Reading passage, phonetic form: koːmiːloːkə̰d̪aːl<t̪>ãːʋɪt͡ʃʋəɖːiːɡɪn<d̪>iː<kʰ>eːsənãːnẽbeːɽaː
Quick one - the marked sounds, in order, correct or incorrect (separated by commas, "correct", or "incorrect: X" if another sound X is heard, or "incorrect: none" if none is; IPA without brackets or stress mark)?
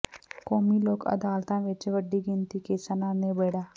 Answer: correct, incorrect: t̪, incorrect: k